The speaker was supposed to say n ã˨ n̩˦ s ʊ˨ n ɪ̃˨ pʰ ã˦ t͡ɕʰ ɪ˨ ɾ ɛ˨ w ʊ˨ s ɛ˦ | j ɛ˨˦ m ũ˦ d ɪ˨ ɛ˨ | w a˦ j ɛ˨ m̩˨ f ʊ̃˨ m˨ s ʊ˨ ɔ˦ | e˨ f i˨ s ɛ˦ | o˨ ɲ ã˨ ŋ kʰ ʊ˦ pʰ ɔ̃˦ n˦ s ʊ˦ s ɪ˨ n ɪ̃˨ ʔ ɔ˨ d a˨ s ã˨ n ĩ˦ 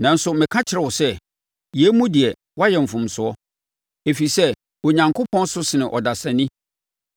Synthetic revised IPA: n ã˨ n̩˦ s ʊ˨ m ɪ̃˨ kʰ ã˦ t͡ɕʰ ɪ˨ ɾ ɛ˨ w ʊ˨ s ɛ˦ | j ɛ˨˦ m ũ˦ d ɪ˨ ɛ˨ | w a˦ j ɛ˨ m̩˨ f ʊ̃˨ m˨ s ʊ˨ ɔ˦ | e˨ f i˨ s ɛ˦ | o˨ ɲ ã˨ ŋ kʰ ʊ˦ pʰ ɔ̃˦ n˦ s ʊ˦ s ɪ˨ n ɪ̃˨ ʔ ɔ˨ d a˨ s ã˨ n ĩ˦